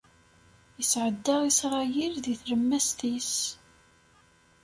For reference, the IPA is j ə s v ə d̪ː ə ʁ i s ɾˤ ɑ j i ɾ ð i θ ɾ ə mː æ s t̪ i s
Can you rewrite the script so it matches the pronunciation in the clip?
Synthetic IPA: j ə s ʕ ə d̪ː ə ʁ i s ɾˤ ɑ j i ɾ ð i θ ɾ ə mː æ s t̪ i s